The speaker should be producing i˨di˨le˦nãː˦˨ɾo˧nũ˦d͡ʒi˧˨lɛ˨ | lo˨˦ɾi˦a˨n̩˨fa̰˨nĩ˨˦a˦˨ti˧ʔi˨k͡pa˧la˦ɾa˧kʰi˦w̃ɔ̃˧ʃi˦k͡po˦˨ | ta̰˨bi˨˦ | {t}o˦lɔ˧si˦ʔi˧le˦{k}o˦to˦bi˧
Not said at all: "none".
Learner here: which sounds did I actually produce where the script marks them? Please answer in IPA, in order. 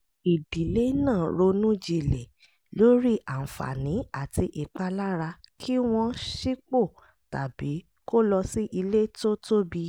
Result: k, t

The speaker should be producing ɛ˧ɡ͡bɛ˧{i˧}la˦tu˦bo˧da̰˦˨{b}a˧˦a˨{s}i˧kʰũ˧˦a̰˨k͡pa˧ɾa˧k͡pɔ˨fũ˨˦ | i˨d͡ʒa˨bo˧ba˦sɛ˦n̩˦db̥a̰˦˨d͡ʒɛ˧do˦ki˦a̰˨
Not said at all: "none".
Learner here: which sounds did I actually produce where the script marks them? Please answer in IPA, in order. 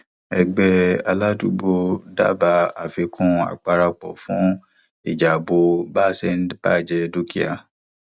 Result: a˧, b, f

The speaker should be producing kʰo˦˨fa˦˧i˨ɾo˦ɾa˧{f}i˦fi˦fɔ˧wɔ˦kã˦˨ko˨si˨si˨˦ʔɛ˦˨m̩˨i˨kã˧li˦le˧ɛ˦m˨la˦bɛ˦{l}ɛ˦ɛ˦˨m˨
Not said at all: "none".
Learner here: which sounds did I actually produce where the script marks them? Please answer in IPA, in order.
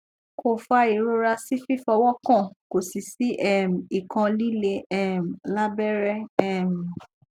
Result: s, ɾ

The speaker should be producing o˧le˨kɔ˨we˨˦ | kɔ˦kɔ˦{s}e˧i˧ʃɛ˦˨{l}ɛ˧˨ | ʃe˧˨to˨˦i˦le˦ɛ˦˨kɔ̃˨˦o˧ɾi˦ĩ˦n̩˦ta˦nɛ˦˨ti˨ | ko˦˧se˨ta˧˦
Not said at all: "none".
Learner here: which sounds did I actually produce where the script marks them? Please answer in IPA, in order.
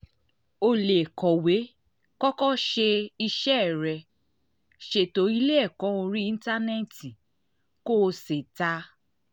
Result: ʃ, ɾ

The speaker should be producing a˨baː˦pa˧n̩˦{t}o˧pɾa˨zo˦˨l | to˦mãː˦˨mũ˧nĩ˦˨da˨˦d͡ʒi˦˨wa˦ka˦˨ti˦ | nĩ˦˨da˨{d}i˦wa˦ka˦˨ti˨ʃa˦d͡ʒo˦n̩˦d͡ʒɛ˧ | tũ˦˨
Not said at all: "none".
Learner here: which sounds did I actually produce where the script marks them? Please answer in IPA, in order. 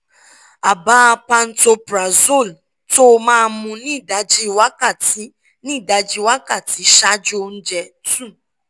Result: t, d͡ʒ

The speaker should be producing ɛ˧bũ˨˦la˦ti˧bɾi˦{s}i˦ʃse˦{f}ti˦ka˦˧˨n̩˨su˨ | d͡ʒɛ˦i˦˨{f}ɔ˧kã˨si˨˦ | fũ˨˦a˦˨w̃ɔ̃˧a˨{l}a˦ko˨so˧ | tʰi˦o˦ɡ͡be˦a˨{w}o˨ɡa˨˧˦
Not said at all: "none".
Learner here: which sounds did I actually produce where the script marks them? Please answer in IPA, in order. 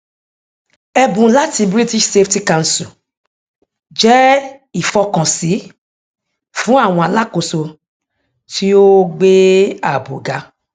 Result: t, f, f, l, b

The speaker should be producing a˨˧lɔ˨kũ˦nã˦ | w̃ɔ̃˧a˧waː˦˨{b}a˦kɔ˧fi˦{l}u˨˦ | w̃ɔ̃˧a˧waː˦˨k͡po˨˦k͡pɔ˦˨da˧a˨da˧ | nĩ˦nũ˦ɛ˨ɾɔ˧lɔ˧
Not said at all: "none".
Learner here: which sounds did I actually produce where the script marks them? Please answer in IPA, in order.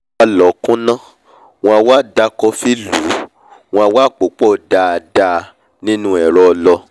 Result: d, l

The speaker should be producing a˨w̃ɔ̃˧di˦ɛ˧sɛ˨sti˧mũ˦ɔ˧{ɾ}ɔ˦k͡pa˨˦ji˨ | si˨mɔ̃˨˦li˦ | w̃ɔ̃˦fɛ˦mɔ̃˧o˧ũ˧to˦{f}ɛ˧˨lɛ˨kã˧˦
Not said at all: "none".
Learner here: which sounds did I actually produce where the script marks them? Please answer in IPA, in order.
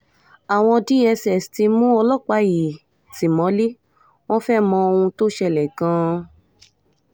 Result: l, ʃ

